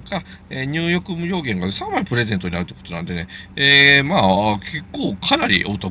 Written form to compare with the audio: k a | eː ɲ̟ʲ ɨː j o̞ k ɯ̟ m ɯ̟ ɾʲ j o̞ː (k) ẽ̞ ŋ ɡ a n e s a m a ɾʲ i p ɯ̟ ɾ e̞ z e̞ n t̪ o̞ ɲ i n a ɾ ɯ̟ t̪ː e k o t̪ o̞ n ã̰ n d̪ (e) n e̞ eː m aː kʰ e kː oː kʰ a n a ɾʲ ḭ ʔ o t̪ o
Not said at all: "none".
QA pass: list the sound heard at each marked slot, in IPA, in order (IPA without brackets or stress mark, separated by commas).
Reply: ɡ, e